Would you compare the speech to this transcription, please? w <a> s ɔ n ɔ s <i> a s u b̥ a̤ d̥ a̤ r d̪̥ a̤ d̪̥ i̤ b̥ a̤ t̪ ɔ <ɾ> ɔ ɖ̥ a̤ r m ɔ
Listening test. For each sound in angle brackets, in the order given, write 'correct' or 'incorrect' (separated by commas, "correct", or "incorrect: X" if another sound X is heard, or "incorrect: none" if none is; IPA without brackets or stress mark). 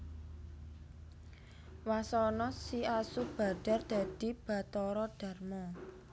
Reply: correct, correct, correct